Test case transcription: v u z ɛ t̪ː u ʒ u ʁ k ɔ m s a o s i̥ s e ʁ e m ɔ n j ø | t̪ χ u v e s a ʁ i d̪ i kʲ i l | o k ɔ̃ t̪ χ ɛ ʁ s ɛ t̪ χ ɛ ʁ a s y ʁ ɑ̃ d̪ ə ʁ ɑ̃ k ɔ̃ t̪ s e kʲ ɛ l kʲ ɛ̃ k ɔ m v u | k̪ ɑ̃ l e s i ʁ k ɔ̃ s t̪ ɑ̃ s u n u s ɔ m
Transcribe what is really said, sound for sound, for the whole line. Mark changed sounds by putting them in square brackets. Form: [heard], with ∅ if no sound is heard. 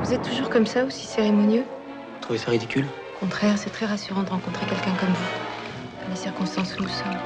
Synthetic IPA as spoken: v u z ɛ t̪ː u ʒ u ʁ k ɔ m s a o s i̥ s e ʁ e m ɔ n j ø | t̪ χ u v e s a ʁ i d̪ i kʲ [y] l | o k ɔ̃ t̪ χ ɛ ʁ s ɛ t̪ χ ɛ ʁ a s y ʁ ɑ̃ d̪ ə ʁ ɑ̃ k ɔ̃ t̪ [χ] e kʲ ɛ l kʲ ɛ̃ k ɔ m v u | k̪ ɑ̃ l e s i ʁ k ɔ̃ s t̪ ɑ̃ s u n u s ɔ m